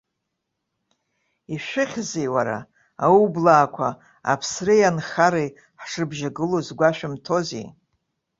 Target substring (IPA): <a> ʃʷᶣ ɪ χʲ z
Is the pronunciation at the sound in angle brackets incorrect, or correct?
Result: incorrect: i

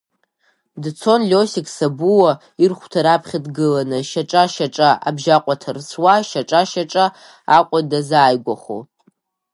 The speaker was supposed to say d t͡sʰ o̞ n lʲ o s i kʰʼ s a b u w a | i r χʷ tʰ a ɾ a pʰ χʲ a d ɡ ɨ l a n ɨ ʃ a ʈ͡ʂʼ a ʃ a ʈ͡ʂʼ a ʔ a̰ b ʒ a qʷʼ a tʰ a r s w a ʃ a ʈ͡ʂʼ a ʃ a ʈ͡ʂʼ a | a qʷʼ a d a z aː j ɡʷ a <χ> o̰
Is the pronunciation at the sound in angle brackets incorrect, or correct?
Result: correct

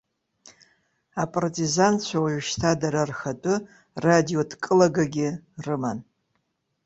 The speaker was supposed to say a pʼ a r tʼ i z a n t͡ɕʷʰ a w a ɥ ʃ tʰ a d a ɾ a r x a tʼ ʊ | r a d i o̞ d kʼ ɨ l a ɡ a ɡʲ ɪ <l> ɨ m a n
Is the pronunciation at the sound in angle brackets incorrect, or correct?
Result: incorrect: r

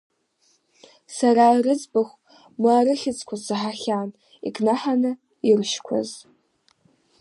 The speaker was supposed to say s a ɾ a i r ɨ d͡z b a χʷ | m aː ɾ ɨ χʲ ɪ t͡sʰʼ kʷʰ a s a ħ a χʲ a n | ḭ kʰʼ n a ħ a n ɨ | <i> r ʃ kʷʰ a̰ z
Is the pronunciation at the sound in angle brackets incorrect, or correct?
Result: correct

